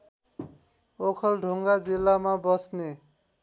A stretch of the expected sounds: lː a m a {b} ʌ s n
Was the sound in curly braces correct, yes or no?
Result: yes